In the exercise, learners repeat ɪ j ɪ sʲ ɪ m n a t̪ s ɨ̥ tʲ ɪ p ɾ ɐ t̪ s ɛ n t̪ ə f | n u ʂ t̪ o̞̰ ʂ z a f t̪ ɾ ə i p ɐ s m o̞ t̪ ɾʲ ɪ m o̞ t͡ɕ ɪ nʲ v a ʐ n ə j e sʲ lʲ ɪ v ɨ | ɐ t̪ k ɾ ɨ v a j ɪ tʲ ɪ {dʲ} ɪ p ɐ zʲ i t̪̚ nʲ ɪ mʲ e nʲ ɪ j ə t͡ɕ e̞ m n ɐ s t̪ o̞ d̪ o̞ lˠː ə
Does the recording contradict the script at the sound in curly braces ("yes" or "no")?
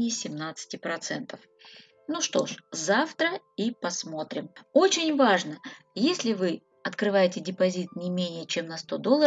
no